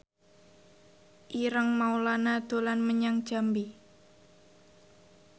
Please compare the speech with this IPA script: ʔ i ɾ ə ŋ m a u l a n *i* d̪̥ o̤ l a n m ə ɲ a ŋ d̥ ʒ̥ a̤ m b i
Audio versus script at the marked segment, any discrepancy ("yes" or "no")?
yes